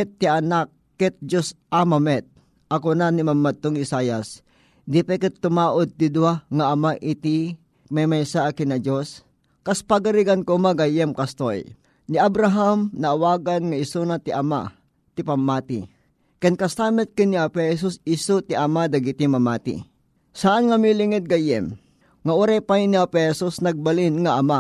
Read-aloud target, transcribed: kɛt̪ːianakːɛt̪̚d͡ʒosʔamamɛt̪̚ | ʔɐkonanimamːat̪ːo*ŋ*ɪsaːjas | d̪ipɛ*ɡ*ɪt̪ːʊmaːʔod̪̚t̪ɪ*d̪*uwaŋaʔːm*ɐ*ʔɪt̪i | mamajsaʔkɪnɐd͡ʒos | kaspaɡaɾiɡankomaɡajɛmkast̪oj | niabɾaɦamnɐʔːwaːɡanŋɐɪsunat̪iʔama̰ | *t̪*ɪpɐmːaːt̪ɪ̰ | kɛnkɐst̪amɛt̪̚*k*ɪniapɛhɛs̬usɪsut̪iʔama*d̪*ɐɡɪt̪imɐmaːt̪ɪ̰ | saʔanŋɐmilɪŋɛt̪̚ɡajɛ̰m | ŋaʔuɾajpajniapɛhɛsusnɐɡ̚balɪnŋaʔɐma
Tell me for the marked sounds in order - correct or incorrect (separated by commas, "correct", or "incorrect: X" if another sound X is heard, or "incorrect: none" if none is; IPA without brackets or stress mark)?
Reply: correct, incorrect: k, correct, incorrect: a, correct, correct, correct